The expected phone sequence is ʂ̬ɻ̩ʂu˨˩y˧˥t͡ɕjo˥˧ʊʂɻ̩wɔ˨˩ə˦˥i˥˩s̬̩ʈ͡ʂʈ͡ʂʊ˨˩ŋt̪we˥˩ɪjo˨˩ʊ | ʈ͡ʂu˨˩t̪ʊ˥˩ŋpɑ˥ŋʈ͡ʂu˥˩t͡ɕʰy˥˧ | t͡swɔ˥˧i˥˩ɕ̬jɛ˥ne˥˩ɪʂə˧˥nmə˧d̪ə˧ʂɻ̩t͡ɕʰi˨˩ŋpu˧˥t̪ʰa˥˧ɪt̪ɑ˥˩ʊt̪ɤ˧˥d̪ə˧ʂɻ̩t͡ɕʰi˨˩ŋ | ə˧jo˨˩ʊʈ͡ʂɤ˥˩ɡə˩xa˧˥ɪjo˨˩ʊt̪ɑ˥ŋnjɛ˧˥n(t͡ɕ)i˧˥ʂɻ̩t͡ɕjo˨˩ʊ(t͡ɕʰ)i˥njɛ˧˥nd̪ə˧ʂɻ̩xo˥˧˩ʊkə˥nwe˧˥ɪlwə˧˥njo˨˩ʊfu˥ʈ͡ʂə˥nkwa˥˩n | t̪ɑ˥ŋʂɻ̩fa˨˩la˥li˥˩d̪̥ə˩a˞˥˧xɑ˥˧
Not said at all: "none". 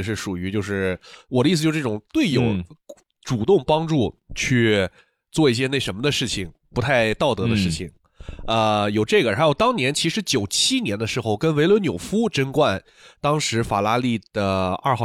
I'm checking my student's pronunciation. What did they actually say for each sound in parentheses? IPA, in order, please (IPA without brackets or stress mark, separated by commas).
t͡ɕʰ, t͡ɕʰ